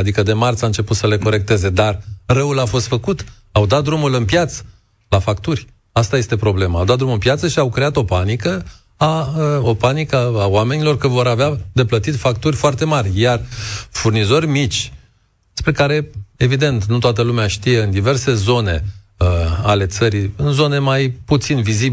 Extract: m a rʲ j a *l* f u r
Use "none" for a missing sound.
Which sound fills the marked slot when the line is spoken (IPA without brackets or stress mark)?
r